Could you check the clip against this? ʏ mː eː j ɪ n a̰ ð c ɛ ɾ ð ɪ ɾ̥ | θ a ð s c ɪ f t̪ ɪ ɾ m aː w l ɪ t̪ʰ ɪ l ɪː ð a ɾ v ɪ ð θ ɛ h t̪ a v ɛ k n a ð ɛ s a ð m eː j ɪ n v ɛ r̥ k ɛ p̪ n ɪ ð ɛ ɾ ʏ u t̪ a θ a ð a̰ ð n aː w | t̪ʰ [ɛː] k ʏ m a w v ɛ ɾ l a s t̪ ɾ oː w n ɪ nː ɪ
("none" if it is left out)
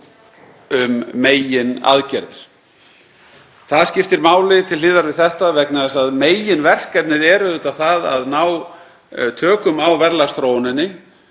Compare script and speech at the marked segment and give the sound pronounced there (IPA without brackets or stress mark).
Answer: œː